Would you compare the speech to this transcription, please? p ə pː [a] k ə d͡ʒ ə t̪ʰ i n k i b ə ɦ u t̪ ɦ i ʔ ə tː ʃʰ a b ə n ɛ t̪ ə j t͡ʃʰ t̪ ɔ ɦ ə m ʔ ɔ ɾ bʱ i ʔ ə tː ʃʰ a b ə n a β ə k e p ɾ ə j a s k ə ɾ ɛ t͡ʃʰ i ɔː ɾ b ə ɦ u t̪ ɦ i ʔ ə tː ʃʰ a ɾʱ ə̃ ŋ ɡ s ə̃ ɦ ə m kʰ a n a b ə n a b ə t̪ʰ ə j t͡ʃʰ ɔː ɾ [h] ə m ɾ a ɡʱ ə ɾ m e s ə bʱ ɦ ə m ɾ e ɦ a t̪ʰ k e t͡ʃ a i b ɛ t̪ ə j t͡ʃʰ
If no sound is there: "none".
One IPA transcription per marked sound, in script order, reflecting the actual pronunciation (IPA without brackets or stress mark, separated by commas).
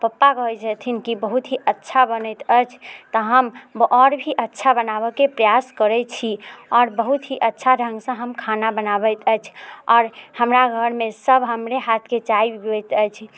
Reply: a, h